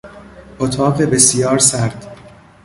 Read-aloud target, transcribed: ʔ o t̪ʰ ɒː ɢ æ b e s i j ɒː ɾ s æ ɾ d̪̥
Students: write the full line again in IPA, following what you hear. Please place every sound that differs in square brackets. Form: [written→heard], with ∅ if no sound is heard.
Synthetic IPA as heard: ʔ o t̪ʰ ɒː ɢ [æ→e] b e s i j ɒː ɾ s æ ɾ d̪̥